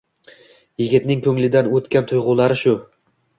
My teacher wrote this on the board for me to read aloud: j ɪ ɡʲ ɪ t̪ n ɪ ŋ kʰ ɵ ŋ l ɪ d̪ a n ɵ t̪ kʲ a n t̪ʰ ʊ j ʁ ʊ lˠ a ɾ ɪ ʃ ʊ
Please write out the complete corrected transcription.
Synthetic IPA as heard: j ɪ ɡʲ ɪ t̪ n ɪ ŋ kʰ ɵ ŋ l ɪ d̪ a n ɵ t̪ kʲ a n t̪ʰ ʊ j ʁ ʊ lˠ a ɾ ɪ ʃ ʊ